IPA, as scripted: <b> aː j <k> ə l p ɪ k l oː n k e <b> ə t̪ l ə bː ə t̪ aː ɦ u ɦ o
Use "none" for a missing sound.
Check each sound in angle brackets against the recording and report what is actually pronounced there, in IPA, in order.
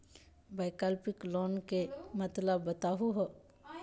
b, k, m

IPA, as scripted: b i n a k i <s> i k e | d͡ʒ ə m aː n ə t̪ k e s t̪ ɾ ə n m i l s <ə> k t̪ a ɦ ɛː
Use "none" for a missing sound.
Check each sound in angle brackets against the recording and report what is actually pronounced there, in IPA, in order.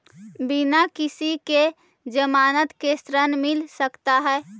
s, ə

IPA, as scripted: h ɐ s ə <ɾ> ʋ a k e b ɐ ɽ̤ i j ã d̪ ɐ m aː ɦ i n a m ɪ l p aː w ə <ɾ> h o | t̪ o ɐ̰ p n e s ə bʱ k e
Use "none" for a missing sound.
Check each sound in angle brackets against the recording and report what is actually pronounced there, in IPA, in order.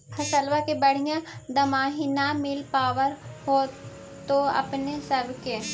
l, ɾ

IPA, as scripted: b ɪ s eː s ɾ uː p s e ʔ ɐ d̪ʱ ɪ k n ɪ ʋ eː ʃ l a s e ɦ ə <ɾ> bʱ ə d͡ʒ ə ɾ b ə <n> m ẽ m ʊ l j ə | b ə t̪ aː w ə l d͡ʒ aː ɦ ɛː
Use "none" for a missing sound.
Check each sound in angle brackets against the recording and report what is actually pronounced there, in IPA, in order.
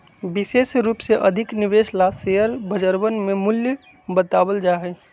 ɾ, n

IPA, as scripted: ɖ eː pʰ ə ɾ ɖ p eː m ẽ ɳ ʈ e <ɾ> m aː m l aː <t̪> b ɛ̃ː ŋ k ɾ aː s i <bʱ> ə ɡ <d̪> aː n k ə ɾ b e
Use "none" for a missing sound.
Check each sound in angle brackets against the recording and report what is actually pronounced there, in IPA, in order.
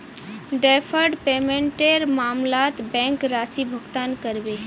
ɾ, t̪, bʱ, t̪

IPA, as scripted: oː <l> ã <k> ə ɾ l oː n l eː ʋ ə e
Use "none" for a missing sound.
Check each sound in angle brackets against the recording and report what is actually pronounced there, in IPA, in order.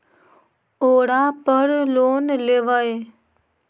ɽ, p

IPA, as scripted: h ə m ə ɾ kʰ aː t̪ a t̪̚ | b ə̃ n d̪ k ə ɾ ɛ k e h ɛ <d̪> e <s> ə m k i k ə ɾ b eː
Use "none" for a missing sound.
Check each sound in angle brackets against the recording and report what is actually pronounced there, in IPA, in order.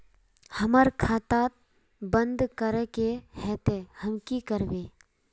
t̪, h

